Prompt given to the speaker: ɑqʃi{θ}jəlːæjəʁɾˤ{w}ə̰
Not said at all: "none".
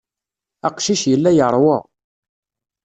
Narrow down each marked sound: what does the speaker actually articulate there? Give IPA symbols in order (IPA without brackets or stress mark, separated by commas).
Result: ʃ, w